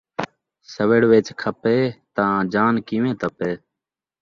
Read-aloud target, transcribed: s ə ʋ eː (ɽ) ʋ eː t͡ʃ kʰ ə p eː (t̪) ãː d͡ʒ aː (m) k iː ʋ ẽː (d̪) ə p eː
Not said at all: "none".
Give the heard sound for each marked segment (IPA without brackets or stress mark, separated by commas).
ɽ, t̪, n, t̪